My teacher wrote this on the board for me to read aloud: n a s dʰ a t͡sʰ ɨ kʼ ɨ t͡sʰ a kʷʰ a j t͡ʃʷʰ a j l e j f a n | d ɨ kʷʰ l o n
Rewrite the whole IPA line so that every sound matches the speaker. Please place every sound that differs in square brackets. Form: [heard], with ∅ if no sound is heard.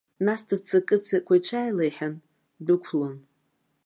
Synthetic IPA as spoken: n a s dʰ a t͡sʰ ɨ kʼ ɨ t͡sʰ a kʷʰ a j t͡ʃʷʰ a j l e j [ħ] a n | d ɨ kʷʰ l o n